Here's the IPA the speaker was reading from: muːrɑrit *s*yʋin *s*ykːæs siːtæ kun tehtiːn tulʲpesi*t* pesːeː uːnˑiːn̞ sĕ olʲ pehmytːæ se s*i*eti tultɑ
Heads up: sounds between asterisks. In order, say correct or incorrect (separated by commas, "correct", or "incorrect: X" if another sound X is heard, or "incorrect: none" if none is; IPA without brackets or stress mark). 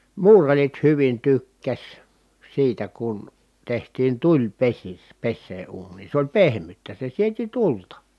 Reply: incorrect: h, incorrect: t, incorrect: s, correct